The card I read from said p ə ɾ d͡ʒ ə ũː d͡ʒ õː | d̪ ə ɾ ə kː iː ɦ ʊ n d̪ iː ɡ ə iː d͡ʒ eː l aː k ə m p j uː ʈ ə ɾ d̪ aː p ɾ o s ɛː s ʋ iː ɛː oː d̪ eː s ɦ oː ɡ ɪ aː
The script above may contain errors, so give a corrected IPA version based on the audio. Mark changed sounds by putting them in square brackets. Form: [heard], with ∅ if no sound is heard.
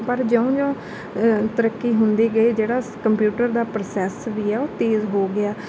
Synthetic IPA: p ə ɾ d͡ʒ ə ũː d͡ʒ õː | [t̪] ə ɾ ə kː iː ɦ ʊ n d̪ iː ɡ ə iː d͡ʒ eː [ɽ] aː k ə m p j uː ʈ ə ɾ d̪ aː p ɾ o s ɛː s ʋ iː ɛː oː [t̪] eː [z] ɦ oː ɡ ɪ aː